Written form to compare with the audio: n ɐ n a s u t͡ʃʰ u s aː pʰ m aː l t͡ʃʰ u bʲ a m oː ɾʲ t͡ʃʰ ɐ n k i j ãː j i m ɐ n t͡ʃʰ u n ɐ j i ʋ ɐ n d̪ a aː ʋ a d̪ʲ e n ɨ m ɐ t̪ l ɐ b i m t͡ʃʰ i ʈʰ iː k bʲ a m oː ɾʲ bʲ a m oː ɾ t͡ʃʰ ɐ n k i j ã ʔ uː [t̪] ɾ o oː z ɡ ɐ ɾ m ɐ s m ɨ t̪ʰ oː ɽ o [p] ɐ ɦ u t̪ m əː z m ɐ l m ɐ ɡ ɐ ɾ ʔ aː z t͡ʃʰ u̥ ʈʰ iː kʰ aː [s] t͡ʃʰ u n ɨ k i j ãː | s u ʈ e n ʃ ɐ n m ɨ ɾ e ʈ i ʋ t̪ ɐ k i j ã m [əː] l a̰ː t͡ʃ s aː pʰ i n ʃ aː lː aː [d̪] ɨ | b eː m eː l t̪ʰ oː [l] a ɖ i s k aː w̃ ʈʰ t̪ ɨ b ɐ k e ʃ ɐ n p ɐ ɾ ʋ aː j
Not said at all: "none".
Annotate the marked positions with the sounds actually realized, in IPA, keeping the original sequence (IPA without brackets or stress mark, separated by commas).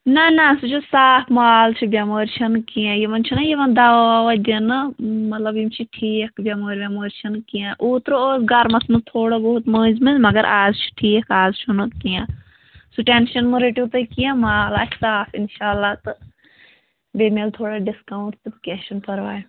t̪, b, z, aː, t̪, ɽ